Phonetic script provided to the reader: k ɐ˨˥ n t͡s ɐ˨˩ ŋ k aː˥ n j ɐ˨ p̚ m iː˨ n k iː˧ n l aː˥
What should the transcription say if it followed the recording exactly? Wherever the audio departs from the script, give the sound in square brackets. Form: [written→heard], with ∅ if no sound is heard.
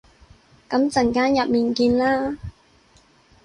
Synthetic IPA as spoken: k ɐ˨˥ [n→m] t͡s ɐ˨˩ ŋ k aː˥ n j ɐ˨ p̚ m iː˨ n k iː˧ n l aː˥